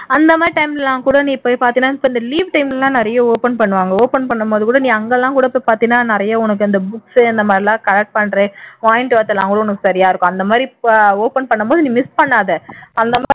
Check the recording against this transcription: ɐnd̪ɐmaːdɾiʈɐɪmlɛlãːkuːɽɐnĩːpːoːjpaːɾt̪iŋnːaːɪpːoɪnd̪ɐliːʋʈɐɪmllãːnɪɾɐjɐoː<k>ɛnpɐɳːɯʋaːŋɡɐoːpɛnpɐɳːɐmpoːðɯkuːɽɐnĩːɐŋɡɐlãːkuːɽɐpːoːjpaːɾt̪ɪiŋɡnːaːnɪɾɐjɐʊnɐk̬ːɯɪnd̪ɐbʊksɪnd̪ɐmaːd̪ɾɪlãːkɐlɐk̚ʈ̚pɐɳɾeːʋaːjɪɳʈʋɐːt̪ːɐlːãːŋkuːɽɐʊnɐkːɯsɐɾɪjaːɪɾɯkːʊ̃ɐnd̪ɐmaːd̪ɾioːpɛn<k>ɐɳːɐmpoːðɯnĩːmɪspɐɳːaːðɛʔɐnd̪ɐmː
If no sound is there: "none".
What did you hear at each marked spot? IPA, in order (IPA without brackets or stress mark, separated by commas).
p, p